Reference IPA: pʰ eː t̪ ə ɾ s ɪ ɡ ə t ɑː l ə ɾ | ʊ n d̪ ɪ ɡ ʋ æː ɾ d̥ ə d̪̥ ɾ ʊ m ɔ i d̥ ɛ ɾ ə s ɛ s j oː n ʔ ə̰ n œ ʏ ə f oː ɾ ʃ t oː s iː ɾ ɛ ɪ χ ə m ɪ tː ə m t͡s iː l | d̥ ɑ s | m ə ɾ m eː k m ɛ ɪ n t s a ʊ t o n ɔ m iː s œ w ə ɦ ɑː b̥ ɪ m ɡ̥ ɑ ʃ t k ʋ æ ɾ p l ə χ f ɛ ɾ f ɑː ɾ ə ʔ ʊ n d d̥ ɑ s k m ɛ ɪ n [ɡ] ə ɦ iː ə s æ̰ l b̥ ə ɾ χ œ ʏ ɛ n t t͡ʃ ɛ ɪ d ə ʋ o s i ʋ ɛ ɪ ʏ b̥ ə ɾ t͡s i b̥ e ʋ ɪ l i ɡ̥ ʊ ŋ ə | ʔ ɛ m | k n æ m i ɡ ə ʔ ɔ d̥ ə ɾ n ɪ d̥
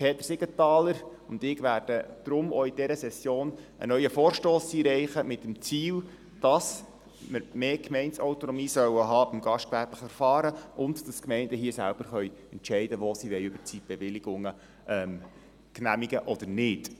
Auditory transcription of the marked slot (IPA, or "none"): d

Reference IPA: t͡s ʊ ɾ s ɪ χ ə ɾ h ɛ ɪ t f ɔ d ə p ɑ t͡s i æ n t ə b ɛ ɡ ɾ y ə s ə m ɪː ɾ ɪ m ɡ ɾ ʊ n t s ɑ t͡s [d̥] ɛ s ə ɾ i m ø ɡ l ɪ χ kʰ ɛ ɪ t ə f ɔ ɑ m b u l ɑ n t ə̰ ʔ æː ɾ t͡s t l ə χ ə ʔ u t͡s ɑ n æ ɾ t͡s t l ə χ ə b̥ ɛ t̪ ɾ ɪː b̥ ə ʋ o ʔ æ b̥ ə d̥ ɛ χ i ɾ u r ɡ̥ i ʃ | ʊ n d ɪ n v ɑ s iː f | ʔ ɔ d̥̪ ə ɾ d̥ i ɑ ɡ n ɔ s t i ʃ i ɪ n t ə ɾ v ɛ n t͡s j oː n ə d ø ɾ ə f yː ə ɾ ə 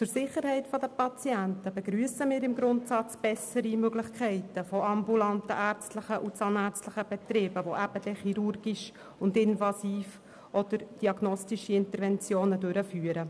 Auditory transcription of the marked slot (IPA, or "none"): b̥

